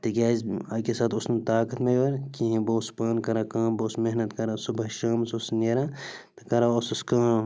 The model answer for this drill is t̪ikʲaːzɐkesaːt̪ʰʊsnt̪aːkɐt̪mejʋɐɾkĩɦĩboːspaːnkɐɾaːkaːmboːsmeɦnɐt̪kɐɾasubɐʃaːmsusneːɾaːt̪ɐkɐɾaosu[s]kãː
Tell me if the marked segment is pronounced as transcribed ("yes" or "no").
yes